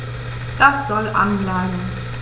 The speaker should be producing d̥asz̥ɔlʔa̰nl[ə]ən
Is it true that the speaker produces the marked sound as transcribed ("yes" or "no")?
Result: no